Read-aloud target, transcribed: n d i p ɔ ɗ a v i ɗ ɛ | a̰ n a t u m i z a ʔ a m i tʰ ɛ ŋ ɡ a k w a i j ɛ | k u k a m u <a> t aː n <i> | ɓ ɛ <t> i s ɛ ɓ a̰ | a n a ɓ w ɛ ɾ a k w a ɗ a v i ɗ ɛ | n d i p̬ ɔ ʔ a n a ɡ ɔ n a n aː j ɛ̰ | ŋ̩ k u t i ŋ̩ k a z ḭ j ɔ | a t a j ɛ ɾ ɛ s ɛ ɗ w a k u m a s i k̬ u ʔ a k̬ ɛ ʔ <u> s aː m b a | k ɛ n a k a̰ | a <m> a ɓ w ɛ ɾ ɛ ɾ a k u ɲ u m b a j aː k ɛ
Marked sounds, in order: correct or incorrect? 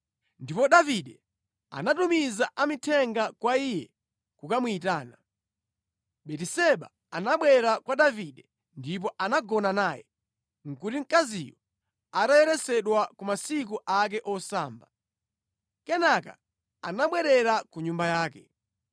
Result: incorrect, incorrect, correct, incorrect, incorrect

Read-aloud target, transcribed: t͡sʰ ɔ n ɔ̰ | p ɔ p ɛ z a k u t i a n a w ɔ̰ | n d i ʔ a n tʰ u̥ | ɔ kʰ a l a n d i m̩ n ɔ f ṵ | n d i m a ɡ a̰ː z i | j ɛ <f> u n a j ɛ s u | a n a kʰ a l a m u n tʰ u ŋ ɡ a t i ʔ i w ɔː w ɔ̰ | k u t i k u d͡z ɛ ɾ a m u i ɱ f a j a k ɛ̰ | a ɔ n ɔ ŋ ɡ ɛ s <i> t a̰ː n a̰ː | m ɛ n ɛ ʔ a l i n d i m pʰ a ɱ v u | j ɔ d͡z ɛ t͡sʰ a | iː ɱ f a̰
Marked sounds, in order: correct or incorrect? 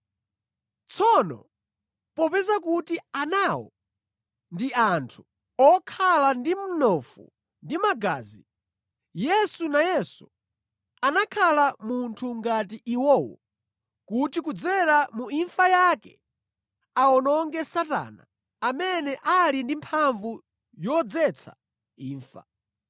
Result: incorrect, incorrect

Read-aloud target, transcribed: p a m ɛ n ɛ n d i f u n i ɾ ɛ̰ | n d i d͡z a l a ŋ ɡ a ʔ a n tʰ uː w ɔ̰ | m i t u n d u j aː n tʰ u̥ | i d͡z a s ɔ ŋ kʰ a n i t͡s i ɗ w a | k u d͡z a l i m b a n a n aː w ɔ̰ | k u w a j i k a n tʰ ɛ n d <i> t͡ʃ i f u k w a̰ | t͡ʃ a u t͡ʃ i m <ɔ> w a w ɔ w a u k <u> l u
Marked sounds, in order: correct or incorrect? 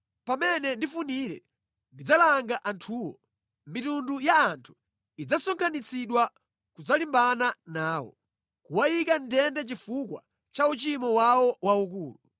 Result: incorrect, correct, incorrect

